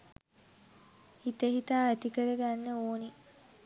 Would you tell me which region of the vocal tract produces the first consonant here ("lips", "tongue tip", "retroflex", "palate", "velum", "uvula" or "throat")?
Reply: throat